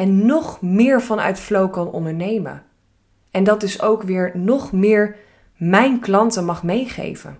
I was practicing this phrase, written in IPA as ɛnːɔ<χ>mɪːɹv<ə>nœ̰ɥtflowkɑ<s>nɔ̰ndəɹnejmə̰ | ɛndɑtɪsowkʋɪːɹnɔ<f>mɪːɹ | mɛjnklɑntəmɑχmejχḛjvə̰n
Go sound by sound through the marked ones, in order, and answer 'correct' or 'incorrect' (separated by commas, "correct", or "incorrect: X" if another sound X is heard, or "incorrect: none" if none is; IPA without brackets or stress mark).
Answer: correct, incorrect: ɑ, incorrect: none, incorrect: χ